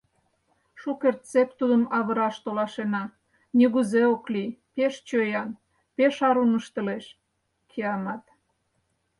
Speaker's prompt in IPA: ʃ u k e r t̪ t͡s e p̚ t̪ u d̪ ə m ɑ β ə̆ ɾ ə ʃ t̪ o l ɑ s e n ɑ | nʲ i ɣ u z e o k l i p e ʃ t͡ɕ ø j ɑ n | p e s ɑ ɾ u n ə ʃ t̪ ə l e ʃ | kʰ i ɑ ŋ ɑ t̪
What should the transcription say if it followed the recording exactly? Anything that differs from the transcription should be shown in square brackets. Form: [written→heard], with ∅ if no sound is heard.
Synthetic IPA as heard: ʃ u k e r t̪ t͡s e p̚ t̪ u d̪ ə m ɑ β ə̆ ɾ [ə→ɑ] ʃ t̪ o l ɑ [s→ʃ] e n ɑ | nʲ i ɣ u z e o k l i p e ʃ t͡ɕ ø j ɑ n | p e [s→ʃ] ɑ ɾ u n ə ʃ t̪ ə l e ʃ | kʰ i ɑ [ŋ→m] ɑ t̪

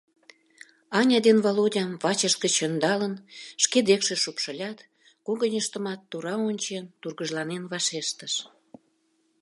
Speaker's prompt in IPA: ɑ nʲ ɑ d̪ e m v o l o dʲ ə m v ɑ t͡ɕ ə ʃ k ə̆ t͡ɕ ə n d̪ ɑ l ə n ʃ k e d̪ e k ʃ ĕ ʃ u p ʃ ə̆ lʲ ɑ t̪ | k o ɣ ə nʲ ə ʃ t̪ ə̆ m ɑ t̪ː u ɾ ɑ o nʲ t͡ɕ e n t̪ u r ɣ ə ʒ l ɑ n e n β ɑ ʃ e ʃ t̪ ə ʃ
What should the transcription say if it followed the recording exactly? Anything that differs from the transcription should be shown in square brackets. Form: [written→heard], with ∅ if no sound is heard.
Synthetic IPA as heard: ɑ nʲ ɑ d̪ e [m→n] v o l o dʲ [ə→ɑ] m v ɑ t͡ɕ ə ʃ k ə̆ t͡ɕ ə n d̪ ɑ l ə n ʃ k e d̪ e k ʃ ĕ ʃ u p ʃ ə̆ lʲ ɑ t̪ | k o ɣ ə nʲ ə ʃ t̪ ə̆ m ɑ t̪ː u ɾ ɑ o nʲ t͡ɕ e n t̪ u r ɣ ə ʒ l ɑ n e n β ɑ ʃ e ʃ t̪ ə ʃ

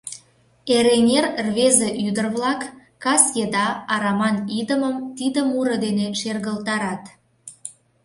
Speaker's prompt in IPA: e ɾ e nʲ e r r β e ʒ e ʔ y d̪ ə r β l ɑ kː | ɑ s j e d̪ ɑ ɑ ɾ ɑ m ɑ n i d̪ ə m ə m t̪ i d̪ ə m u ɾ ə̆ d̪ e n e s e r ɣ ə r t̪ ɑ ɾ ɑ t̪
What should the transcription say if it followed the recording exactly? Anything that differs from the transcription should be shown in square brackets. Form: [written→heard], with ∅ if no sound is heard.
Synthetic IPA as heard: e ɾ e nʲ e r r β e [ʒ→z] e ʔ y d̪ ə r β l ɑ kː | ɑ s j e d̪ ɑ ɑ ɾ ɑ m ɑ n i d̪ ə m ə m t̪ i d̪ ə m u ɾ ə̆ d̪ e n e [s→ʃ] e r ɣ ə [r→l] t̪ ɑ ɾ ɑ t̪

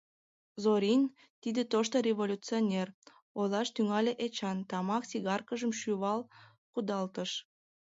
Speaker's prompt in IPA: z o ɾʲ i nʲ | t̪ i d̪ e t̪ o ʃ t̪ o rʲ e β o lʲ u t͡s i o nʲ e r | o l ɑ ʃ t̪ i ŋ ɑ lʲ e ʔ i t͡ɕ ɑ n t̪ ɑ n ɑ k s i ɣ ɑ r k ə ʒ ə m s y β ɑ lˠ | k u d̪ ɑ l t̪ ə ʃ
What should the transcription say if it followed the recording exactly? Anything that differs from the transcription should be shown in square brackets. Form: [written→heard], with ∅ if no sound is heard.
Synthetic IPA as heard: z o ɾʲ i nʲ | t̪ i d̪ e t̪ o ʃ t̪ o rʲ e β o lʲ u t͡s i o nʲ e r | o l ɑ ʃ t̪ [i→y] ŋ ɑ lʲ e ʔ [i→e] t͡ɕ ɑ n t̪ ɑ [n→m] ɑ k s i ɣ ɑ r k ə ʒ ə m [s→ʃ] y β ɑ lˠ | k u d̪ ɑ l t̪ ə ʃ

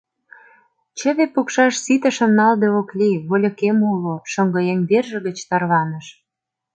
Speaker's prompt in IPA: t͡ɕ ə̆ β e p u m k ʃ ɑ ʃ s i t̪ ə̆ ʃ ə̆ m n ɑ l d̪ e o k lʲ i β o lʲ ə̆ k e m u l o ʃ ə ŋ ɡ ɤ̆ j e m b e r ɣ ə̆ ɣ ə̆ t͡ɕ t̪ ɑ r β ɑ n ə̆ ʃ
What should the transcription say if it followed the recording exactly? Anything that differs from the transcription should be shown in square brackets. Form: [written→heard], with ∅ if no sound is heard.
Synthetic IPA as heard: t͡ɕ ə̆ β e p u [m→∅] k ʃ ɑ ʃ s i t̪ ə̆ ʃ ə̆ m n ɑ l d̪ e o k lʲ i β o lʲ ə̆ k e m u l o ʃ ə ŋ ɡ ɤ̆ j e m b e r [ɣ→ʒ] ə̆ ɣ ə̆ t͡ɕ t̪ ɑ r β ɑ n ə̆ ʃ

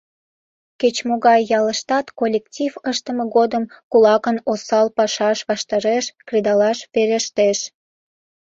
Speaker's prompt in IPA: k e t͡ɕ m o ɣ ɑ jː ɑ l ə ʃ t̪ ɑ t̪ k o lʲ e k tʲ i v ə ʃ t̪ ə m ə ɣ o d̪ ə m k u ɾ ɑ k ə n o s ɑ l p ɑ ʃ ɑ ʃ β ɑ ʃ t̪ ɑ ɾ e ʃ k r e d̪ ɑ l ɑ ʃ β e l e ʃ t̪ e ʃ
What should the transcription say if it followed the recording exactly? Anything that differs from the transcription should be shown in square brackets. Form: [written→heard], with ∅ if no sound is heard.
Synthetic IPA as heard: k e t͡ɕ m o ɣ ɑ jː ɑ l ə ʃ t̪ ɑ t̪ k o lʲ e k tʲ i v ə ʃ t̪ ə m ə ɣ o d̪ ə m k u [ɾ→l] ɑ k ə n o s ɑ l p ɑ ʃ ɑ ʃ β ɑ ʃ t̪ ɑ ɾ e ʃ k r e d̪ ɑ l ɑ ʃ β e [l→ɾ] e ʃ t̪ e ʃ

